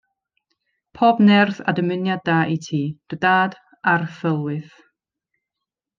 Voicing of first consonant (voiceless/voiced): voiceless